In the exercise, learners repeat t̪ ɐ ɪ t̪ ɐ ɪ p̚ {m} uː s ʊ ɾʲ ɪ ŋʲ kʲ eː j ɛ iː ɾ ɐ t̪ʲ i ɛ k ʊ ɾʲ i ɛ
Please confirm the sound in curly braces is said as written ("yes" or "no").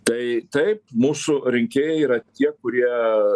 yes